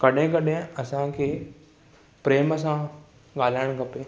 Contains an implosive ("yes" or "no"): yes